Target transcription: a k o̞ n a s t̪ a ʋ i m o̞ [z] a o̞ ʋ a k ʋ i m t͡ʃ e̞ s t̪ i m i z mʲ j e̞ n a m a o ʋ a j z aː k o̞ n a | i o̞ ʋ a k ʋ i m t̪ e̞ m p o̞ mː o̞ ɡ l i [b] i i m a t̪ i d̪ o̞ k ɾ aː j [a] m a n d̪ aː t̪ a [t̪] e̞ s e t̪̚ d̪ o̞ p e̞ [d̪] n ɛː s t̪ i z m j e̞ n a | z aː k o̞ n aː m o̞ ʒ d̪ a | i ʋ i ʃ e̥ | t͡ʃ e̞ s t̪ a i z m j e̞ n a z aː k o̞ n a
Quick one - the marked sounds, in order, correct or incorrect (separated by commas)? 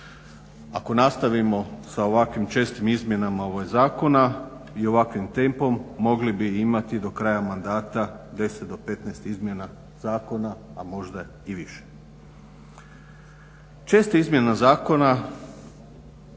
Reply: incorrect, correct, correct, incorrect, incorrect